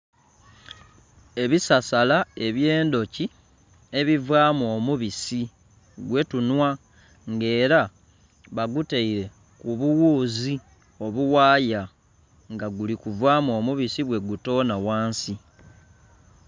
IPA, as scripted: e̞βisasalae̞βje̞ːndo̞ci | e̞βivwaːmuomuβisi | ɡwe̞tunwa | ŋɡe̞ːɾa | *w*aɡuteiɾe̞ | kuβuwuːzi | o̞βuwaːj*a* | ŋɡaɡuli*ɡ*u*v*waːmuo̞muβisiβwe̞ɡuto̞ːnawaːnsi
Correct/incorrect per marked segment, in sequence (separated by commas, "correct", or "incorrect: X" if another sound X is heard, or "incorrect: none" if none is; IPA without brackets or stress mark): incorrect: β, correct, incorrect: k, correct